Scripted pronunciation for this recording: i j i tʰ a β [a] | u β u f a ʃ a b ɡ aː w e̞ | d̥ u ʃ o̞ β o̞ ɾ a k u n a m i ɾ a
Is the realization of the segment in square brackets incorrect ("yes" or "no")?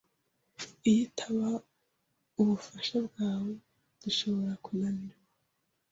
no